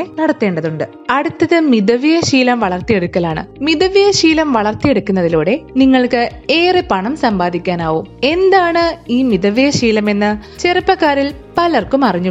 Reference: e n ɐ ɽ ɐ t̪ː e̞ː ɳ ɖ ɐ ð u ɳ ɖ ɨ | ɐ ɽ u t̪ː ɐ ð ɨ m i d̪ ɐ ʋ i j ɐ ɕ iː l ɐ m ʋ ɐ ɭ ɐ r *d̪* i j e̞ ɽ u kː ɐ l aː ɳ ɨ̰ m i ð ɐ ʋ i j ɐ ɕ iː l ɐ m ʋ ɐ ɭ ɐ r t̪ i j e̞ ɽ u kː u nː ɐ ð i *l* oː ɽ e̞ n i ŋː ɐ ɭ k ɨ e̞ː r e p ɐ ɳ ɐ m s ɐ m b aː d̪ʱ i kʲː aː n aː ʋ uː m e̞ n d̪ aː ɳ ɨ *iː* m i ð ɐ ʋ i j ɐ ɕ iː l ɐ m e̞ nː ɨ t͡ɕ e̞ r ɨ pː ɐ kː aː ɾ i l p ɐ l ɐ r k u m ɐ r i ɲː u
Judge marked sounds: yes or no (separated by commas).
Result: no, yes, yes